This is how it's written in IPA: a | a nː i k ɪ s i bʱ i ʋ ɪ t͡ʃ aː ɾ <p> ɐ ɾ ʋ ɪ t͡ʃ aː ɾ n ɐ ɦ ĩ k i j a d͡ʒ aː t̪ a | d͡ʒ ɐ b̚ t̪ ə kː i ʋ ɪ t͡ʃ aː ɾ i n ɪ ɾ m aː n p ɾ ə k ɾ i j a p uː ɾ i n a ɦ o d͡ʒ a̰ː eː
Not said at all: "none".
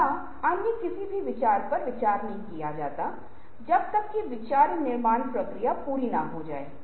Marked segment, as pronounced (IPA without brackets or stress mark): p